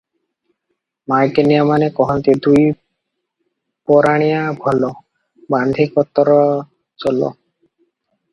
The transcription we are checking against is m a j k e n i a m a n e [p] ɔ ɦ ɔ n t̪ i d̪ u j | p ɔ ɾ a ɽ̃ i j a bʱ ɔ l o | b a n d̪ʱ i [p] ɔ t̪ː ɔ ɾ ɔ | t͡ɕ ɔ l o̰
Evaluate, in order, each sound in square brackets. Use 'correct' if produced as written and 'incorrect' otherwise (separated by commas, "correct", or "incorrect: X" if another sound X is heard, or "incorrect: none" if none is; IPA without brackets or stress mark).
incorrect: k, incorrect: k